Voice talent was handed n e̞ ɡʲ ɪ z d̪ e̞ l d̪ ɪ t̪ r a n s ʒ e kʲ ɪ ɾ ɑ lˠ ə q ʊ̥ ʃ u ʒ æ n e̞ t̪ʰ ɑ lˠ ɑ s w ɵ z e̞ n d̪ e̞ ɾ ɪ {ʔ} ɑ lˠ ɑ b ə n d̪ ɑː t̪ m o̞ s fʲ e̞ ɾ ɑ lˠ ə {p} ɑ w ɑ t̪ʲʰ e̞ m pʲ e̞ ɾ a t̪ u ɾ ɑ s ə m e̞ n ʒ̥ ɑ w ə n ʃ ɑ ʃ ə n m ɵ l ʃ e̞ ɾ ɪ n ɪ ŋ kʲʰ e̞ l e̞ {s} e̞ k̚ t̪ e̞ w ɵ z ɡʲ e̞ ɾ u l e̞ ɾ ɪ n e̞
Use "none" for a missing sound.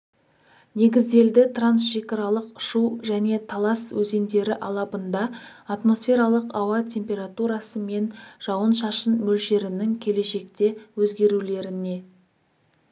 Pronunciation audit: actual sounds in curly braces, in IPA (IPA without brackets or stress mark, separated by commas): ʔ, q, ʃ